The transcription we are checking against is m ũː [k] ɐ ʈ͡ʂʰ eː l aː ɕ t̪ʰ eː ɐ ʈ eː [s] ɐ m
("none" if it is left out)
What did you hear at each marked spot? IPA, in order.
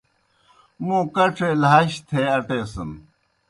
k, s

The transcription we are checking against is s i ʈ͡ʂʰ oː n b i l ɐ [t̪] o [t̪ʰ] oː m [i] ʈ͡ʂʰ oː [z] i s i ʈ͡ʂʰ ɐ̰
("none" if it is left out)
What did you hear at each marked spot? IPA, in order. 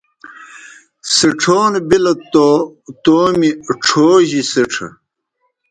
t̪, t̪, i, ʑ

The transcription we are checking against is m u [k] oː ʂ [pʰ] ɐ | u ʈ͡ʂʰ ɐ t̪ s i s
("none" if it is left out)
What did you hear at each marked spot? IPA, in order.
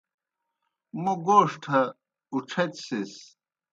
ɡ, ʈʰ

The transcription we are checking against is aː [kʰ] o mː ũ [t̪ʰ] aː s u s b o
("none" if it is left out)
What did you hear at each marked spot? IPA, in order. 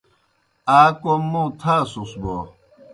k, t̪ʰ

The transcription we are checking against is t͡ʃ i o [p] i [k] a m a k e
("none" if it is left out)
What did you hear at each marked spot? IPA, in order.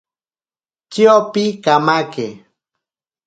p, k

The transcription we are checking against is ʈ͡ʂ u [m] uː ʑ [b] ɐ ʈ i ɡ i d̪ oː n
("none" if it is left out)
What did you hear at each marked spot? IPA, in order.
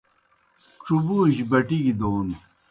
b, b

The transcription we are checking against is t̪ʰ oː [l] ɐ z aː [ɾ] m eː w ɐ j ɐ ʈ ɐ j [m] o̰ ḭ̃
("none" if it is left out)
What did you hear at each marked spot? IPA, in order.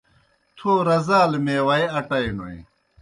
ɾ, l, n

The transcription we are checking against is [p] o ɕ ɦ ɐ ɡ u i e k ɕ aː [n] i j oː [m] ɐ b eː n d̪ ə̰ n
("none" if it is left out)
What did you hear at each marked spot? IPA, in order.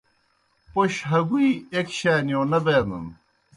p, n, n

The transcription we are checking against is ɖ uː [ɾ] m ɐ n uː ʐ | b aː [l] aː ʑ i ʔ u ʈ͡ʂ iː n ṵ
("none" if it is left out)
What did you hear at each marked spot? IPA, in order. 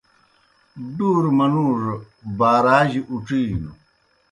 ɾ, ɾ

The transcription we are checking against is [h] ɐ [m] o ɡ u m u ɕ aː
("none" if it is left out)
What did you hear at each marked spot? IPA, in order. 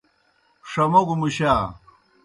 ʂ, m

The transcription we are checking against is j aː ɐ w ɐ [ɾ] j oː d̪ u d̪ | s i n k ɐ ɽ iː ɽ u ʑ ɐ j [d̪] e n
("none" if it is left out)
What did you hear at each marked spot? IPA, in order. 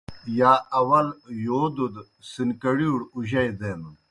l, d̪

